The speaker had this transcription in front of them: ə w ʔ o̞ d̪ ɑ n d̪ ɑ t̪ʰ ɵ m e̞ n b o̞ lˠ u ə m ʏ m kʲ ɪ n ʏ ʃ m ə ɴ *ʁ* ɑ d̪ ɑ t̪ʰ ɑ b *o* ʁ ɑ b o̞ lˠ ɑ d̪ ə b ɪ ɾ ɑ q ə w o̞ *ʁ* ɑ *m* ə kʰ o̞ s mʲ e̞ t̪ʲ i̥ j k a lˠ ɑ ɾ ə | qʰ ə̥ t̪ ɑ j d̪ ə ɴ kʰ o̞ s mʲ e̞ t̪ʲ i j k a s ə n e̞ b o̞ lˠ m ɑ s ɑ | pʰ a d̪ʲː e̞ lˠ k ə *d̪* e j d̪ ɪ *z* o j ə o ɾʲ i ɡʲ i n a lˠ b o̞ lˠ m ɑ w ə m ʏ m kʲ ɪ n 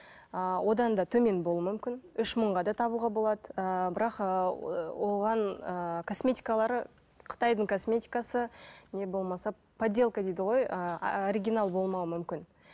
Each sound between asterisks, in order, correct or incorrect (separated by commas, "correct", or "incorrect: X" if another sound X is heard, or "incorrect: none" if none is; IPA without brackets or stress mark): correct, incorrect: u, correct, incorrect: n, correct, incorrect: ʁ